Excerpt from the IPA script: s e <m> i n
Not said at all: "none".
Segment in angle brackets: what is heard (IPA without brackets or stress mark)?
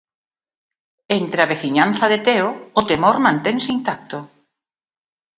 none